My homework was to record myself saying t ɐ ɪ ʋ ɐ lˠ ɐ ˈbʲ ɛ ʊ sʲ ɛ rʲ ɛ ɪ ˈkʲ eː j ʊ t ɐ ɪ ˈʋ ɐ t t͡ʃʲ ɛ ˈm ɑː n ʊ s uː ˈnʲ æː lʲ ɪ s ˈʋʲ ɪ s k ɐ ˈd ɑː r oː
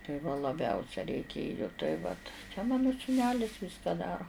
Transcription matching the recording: t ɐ ɪ ʋ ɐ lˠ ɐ ˈbʲ ɛ ʊ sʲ ɛ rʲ ɛ ɪ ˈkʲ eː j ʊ t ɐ ɪ ˈʋ ɐ t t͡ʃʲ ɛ ˈm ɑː n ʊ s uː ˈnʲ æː lʲ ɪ s ˈʋʲ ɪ s k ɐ ˈd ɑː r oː